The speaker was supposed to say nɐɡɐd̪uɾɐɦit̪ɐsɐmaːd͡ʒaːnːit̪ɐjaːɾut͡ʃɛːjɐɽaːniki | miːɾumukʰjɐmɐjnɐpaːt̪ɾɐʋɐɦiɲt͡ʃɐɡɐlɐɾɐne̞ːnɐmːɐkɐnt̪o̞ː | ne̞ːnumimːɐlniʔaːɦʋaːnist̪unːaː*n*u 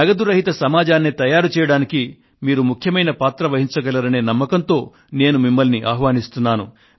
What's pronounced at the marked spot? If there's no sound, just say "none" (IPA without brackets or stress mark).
n